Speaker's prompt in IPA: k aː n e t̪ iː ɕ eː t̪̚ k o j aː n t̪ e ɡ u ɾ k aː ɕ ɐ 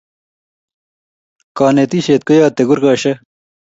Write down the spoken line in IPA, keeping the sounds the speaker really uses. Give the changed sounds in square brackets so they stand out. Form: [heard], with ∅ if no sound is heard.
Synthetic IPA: k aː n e t̪ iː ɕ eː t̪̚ k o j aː [∅] t̪ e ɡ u ɾ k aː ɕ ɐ